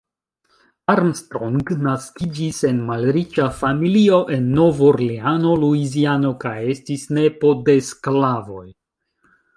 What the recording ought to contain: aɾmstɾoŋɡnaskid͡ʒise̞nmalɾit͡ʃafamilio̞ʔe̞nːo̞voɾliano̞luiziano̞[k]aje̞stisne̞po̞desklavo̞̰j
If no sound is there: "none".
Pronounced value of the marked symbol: k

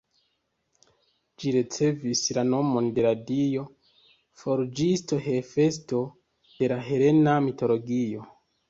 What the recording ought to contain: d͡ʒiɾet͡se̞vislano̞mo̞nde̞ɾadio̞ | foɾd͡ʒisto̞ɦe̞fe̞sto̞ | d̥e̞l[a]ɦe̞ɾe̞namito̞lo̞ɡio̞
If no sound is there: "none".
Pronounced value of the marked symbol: a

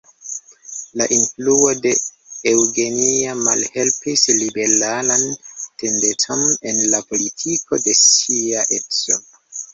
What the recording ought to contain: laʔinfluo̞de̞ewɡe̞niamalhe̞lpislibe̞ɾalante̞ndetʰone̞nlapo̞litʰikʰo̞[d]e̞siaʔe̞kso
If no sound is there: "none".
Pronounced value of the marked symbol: d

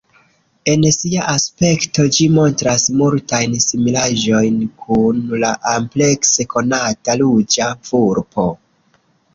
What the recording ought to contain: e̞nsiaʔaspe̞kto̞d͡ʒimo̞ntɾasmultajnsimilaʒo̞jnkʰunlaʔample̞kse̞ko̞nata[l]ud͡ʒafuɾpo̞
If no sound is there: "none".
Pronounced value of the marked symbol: l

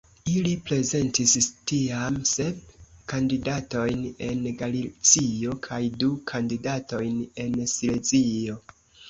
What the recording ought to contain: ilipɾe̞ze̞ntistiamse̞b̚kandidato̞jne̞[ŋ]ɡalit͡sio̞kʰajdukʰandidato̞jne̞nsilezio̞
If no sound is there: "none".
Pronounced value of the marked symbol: n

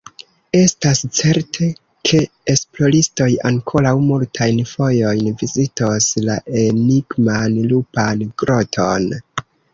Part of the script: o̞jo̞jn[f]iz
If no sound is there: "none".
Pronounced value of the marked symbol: v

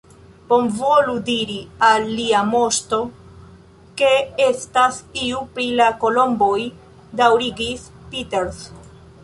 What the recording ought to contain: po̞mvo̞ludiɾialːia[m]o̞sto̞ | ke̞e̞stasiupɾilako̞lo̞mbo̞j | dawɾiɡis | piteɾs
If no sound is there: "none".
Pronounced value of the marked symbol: m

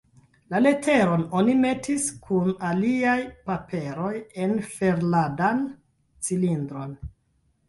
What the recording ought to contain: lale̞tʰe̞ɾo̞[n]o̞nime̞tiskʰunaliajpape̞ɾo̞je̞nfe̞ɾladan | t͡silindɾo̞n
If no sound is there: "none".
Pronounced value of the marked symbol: n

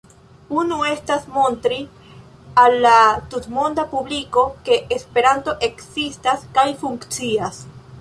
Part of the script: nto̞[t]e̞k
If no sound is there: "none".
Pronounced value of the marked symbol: ʔ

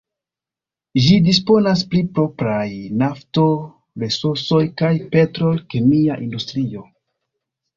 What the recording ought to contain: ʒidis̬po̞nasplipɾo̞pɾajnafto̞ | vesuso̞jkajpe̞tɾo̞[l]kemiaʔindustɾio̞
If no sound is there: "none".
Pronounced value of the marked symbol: l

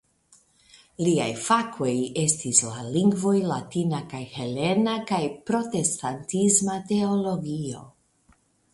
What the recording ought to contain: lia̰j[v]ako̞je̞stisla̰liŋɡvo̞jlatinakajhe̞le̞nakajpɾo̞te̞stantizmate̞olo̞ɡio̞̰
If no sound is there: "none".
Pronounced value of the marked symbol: f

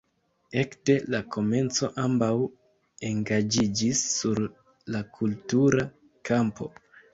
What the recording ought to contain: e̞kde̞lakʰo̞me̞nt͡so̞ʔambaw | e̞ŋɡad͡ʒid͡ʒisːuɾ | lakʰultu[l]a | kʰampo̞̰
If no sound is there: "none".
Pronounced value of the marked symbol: ɾ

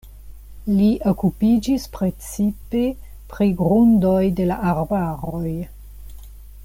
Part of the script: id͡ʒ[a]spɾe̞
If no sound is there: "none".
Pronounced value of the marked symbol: i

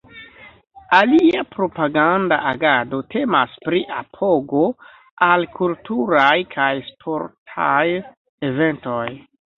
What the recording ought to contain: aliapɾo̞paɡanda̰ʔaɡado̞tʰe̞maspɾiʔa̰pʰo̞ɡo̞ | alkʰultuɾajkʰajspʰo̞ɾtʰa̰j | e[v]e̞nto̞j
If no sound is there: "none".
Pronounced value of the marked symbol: v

